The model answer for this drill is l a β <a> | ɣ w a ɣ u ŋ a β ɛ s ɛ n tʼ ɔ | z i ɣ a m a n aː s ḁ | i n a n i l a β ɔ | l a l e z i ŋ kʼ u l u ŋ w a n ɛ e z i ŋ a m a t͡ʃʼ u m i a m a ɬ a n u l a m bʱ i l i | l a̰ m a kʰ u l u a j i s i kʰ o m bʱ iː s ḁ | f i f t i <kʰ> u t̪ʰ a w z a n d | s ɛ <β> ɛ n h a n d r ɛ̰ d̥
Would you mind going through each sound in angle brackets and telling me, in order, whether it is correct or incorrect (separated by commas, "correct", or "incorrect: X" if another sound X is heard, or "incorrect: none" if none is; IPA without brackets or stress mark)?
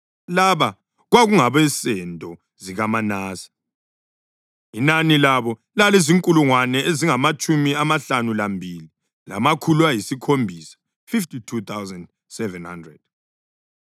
correct, incorrect: tʰ, incorrect: v